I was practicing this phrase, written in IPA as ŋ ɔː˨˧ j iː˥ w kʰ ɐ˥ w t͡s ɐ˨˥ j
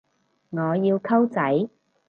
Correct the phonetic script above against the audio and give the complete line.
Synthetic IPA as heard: ŋ ɔː˨˧ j iː˧ w kʰ ɐ˥ w t͡s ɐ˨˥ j